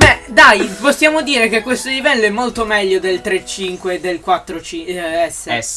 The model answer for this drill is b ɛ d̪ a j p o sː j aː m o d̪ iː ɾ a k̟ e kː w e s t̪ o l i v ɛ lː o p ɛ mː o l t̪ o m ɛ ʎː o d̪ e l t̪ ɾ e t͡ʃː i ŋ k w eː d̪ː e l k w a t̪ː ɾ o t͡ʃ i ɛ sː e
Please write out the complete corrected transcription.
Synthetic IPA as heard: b ɛ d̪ a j p o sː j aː m o d̪ iː ɾ e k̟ e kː w e s t̪ o l i v ɛ lː o ɛ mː o l t̪ o m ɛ ʎː o d̪ e l t̪ ɾ e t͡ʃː i ŋ k w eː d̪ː e l k w a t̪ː ɾ o t͡ʃ i ɛ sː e